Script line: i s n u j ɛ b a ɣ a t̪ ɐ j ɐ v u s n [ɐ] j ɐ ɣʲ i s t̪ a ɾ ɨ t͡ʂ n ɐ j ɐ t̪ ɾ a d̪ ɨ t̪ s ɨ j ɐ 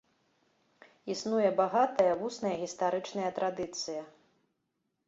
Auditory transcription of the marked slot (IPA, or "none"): ɐ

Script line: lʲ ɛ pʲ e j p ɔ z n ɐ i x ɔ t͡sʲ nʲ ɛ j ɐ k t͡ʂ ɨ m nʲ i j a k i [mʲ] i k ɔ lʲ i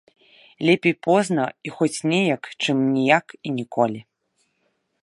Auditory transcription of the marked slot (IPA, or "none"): nʲ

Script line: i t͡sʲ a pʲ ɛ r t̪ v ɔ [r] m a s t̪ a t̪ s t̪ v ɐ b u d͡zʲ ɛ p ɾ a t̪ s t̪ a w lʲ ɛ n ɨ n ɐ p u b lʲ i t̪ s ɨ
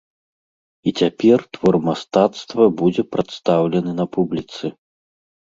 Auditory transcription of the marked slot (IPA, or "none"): r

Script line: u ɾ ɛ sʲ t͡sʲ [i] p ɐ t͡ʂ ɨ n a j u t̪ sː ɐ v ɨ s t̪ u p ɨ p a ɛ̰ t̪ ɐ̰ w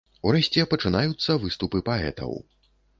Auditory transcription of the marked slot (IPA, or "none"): ɛ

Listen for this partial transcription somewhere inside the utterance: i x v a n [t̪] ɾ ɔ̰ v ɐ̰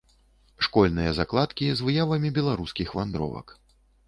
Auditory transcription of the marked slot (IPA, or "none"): d̪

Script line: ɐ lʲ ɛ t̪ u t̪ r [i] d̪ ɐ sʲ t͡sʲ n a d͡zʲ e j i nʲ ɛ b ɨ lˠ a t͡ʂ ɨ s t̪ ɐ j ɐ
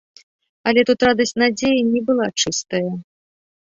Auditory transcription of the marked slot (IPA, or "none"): a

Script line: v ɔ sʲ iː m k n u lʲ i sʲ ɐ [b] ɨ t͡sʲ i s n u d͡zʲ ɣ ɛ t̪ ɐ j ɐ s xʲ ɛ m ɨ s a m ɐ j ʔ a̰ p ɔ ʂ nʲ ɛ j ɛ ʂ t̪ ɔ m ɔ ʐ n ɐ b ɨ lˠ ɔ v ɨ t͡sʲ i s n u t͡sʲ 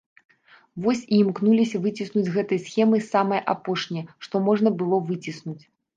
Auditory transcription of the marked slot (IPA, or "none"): v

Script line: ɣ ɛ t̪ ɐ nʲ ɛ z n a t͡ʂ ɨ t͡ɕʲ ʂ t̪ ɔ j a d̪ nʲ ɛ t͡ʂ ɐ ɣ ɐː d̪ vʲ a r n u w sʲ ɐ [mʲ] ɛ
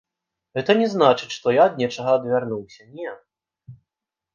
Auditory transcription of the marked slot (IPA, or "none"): nʲ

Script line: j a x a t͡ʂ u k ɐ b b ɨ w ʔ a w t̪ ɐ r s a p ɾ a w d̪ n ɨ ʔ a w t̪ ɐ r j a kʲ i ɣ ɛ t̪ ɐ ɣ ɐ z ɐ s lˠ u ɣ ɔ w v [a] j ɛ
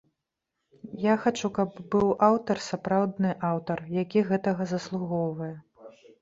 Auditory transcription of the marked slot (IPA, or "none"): ɐ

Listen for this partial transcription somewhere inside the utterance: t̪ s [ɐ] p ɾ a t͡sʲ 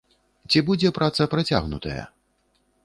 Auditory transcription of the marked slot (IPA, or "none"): ɐ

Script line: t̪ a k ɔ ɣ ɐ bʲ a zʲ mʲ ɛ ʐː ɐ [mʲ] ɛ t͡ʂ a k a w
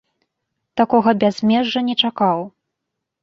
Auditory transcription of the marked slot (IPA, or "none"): nʲ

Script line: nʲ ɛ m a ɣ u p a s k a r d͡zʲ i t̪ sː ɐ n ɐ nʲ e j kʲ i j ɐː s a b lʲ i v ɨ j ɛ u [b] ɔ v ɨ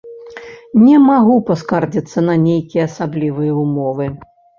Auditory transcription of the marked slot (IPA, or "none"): m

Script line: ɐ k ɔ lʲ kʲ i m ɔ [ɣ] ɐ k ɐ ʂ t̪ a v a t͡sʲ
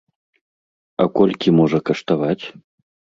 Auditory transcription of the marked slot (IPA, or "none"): ʐ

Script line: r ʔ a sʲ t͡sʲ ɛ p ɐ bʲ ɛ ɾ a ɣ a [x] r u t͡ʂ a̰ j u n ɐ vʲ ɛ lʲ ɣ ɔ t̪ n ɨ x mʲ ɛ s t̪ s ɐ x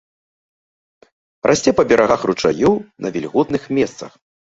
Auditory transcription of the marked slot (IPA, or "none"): x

